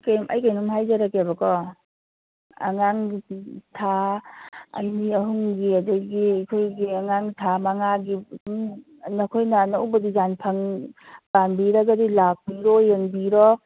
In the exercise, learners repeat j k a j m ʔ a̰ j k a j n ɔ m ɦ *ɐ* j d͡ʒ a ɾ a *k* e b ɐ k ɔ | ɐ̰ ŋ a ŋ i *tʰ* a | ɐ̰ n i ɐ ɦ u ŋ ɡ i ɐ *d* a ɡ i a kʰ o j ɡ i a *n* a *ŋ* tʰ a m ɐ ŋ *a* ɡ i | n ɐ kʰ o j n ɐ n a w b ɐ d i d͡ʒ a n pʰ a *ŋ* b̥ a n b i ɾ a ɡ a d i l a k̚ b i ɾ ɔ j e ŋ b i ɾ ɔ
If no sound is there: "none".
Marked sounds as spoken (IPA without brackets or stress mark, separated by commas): a, k, tʰ, d, ŋ, ŋ, a, ŋ